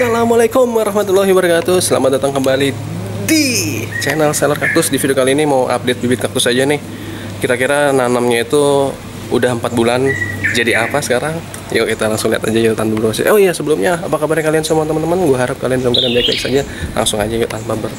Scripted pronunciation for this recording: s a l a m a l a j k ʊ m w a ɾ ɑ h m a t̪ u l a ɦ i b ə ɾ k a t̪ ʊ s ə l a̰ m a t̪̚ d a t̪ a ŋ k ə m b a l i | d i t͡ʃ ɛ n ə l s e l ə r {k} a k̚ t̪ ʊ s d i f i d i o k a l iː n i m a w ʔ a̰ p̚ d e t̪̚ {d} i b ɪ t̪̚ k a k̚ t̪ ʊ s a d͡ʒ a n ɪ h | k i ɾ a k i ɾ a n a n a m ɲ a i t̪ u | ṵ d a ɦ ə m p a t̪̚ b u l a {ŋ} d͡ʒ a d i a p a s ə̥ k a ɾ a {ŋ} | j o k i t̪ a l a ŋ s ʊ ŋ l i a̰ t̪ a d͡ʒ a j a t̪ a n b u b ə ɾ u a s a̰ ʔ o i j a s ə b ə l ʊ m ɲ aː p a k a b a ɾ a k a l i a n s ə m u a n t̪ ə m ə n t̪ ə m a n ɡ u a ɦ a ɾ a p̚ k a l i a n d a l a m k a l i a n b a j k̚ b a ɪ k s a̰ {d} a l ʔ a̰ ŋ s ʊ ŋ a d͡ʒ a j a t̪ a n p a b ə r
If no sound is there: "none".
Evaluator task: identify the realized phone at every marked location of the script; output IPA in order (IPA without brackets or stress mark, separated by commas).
k, b, n, ŋ, d͡ʒ